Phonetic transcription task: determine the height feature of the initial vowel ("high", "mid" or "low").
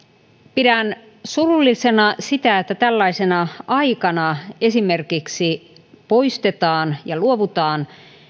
high